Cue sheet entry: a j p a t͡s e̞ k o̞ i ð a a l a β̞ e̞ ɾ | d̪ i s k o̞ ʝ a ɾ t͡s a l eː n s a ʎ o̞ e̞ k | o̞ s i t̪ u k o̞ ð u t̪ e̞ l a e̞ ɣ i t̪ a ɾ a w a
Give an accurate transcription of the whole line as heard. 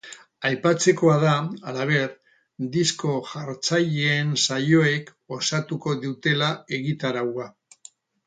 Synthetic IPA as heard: a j p a t͡s e̞ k o̞ a ð a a l a β̞ e̞ ɾ | d̪ i s k o̞ ʝ a ɾ t͡s a ʎ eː n s a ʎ o̞ e̞ k | o̞ s a t̪ u k o̞ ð u t̪ e̞ l a e̞ ɣ i t̪ a ɾ a w a